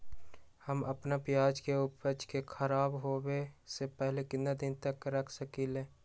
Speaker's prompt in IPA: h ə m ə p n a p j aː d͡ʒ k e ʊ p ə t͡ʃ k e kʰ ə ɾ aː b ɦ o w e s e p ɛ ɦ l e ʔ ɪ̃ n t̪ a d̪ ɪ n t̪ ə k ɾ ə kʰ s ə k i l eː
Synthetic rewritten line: h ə m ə p n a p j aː d͡ʒ k e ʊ p ə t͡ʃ k e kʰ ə ɾ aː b ɦ o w e s e p ɛ ɦ l e k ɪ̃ n d̪ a d̪ ɪ n t̪ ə k ɾ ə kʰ s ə k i l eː